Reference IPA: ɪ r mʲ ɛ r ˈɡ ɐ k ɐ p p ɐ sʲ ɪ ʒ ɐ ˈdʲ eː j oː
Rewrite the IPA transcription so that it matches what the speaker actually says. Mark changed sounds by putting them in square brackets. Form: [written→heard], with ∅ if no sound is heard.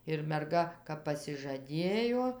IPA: ɪ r mʲ ɛ r ˈɡ ɐ k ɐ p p ɐ sʲ ɪ ʒ ɐ ˈdʲ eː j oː